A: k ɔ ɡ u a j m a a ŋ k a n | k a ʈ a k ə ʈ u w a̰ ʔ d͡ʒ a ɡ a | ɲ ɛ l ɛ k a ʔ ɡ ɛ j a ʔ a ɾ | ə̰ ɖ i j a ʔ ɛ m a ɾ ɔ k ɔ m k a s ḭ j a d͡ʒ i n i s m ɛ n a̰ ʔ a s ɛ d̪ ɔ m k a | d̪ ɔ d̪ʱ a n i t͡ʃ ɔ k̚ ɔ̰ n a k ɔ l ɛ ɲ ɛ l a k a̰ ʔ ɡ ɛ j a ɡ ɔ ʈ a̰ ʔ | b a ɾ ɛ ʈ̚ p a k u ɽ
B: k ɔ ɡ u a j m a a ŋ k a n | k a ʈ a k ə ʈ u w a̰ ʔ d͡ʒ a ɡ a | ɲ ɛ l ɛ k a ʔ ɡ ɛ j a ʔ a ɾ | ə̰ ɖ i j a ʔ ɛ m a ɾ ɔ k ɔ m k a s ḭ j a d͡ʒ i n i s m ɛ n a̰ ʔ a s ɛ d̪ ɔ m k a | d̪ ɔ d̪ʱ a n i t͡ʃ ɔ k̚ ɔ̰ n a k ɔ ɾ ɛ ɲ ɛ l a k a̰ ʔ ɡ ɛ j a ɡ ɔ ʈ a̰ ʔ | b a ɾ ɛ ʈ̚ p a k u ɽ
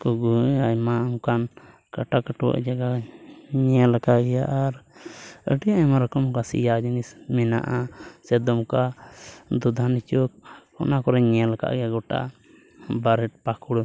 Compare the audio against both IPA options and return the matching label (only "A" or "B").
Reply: B